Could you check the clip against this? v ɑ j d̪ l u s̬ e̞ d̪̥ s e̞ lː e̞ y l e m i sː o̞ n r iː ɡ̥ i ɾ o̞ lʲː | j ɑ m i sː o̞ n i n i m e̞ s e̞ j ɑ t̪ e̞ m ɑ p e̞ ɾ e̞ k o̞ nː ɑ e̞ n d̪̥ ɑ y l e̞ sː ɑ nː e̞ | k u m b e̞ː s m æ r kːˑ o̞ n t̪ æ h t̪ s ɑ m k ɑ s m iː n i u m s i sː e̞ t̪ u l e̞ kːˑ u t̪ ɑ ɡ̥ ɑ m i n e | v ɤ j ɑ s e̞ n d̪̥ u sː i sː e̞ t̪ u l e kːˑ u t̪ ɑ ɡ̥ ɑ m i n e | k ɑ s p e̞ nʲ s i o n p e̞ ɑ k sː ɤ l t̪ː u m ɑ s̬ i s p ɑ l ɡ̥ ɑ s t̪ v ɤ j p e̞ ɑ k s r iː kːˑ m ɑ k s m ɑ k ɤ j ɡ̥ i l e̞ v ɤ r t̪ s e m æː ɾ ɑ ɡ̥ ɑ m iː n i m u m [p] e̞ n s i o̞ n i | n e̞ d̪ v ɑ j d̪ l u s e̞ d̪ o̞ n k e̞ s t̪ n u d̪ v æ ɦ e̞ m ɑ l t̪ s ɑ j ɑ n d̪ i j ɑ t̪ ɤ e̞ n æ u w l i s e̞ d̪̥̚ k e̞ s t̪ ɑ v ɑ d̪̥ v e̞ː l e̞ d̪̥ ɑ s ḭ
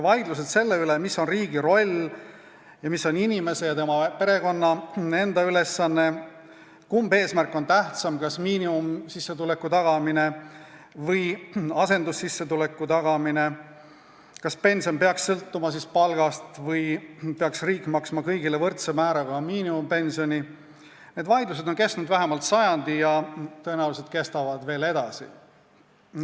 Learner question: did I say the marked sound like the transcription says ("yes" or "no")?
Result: yes